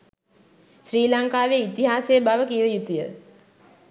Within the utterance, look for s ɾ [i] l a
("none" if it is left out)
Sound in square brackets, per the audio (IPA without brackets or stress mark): iː